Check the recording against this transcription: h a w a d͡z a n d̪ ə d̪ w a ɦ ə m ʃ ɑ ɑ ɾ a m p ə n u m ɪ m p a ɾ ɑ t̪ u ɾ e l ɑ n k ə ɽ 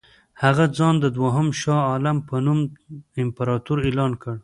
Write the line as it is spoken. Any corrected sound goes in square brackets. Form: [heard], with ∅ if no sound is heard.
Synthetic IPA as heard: h a [ɣ] a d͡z [ɑ] n d̪ ə d̪ w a ɦ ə m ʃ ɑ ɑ [l] a m p ə n u m ɪ m p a ɾ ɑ t̪ u ɾ e l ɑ n k ə ɽ